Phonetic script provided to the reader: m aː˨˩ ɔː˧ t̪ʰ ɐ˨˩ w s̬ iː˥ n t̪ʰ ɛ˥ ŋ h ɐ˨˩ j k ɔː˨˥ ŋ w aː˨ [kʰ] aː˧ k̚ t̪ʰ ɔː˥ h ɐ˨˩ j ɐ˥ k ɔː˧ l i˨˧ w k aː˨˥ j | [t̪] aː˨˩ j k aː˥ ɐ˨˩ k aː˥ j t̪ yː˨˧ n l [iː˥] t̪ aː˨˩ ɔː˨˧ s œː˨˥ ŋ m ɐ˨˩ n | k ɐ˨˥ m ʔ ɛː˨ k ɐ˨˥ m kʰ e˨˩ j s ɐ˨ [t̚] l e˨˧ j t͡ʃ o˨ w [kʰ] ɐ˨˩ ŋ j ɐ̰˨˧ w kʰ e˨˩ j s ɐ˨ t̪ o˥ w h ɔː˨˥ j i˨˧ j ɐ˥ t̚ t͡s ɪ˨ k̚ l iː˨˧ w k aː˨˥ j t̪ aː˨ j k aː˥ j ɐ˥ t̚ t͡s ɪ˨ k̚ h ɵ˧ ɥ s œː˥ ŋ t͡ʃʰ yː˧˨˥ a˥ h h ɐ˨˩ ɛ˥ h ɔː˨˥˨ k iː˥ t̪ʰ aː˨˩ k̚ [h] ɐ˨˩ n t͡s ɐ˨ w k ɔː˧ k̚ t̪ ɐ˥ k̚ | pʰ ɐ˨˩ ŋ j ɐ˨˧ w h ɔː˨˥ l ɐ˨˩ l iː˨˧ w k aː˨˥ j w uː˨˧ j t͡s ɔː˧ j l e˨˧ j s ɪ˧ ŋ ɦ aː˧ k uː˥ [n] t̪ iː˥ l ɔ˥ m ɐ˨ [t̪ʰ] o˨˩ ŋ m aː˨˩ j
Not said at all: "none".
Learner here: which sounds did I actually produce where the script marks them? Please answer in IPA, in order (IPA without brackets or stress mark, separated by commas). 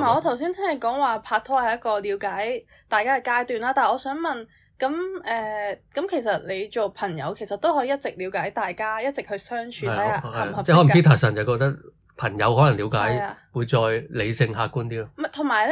pʰ, t̪, aː˥, t̚, pʰ, s, n, t̪ʰ